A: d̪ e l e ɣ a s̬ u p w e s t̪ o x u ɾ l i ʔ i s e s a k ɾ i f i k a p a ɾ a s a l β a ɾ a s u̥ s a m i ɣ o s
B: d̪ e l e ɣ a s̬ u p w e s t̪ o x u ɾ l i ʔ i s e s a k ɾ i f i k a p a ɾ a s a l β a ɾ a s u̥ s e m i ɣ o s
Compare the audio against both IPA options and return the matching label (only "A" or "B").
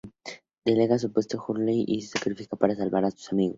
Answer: A